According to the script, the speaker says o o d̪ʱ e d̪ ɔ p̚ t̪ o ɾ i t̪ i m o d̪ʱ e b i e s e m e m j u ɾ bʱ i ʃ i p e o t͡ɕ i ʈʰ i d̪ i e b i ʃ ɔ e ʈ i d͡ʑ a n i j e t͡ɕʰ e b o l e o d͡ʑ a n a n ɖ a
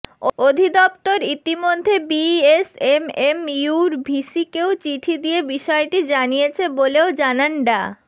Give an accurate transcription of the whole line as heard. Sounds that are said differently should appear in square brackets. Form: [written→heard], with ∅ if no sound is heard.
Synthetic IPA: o o d̪ʱ [e→i] d̪ ɔ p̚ t̪ o ɾ i t̪ i m o [d̪ʱ→d̪ʱː] e b i e s e m e m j u ɾ bʱ i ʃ i [p→k] e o t͡ɕ i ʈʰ i d̪ i e b i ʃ ɔ e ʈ i d͡ʑ a n i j e t͡ɕʰ e b o l e o d͡ʑ a n a n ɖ a